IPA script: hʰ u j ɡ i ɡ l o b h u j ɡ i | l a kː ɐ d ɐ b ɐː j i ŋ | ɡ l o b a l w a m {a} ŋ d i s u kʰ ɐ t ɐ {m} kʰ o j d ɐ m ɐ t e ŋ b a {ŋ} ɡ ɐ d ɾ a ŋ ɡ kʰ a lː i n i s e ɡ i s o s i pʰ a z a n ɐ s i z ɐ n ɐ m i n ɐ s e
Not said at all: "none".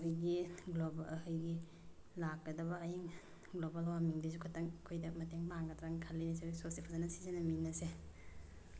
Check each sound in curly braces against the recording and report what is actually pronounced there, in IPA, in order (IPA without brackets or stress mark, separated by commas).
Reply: i, ŋ, ŋ